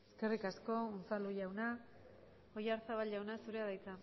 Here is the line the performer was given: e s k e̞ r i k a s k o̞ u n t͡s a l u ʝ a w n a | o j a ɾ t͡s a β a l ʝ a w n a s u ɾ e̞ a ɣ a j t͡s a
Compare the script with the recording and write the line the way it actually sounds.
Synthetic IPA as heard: e s k e̞ r i k a s k o̞ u n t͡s a l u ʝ a w n a | o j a ɾ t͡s a β a l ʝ a w n a s u ɾ e̞ a ð a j t͡s a